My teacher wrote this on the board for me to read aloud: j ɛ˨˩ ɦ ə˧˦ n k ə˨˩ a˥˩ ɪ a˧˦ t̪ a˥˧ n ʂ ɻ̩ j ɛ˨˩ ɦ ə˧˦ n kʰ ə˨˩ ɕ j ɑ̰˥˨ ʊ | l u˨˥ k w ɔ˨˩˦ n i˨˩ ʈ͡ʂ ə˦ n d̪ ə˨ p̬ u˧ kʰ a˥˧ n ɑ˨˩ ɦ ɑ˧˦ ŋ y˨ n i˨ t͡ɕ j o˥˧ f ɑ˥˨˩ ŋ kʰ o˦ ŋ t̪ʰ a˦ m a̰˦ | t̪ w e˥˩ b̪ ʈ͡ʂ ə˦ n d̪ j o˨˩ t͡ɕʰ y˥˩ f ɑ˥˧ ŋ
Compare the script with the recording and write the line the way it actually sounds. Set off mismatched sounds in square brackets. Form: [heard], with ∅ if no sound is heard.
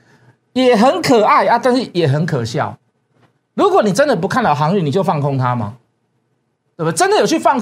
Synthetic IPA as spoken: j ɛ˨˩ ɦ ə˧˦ n [kʰ] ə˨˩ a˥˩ ɪ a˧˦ t̪ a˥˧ n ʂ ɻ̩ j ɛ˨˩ ɦ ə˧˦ n kʰ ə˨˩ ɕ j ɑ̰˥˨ ʊ | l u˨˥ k w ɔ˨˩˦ n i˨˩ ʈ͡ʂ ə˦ n d̪ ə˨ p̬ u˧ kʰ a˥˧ n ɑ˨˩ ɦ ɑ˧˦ ŋ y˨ n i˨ t͡ɕ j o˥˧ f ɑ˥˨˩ ŋ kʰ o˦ ŋ t̪ʰ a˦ m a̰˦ | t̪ w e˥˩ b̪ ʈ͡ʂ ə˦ n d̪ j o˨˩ t͡ɕʰ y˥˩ f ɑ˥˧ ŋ